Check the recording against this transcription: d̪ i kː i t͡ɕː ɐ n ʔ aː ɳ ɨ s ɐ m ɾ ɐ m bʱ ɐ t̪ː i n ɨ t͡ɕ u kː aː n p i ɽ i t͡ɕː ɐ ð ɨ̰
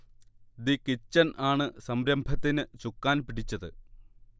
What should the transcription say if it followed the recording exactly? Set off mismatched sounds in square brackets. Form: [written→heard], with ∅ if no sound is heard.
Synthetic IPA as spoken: d̪ i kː i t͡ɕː ɐ n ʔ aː ɳ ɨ s ɐ m ɾ ɐ m bʱ ɐ t̪ː i n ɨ t͡ɕ u kː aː n p i ɽ i t͡ɕː ɐ ð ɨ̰